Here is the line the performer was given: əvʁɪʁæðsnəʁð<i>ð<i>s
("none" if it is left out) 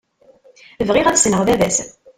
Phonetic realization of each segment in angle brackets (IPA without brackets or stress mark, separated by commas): æ, æ